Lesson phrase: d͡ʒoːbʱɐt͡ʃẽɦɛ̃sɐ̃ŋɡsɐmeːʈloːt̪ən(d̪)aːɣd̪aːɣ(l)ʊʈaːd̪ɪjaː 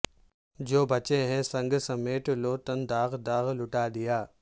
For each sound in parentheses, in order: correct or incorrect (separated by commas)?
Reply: correct, correct